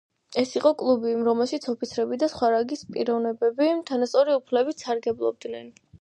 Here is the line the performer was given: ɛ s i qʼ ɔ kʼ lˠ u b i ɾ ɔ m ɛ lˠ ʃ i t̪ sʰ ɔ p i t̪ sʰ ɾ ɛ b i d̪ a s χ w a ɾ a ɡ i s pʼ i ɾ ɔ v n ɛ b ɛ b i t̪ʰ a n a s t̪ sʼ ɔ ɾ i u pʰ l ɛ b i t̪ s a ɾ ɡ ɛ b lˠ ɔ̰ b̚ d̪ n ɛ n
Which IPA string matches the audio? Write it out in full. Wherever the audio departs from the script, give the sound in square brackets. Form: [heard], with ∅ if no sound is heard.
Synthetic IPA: ɛ s i qʼ ɔ kʼ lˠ u b i ɾ ɔ m ɛ lˠ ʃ i t̪ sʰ ɔ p i t̪ sʰ ɾ ɛ b i d̪ a s χ w a ɾ a ɡ i s pʼ i ɾ ɔ v n ɛ b ɛ b i t̪ʰ a n a s t̪ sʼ ɔ ɾ i u pʰ l ɛ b i t̪ s a ɾ ɡ ɛ b lˠ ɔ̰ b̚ d̪ n ɛ n